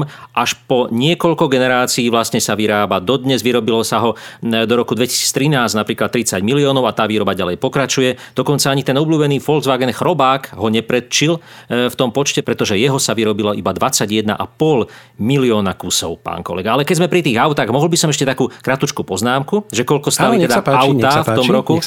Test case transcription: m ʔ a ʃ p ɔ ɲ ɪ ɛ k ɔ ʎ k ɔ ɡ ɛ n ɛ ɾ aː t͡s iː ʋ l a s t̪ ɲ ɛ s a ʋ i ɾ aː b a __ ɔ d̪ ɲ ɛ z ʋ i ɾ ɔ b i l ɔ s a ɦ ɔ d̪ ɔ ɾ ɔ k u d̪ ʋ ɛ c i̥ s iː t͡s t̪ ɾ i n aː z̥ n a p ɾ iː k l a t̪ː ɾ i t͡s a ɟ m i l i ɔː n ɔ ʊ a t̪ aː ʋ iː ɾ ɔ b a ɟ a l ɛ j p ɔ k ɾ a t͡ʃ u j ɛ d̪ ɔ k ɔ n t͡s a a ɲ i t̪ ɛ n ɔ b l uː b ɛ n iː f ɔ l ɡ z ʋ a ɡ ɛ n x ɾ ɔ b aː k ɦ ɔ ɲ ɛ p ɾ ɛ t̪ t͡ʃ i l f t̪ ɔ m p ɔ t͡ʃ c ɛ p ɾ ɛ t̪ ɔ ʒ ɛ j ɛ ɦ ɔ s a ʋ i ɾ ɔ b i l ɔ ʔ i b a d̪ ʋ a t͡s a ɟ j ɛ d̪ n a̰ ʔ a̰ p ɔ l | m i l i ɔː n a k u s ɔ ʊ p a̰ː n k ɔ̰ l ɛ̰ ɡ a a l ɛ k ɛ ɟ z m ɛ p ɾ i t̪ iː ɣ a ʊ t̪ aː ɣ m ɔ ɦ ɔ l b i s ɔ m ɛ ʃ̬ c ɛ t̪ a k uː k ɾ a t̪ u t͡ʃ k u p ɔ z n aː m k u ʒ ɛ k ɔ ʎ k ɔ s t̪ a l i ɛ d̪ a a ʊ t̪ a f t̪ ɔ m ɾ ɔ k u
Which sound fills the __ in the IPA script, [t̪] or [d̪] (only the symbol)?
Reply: d̪